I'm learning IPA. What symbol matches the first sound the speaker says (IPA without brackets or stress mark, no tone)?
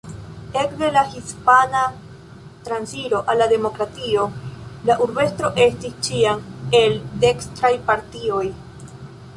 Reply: e̞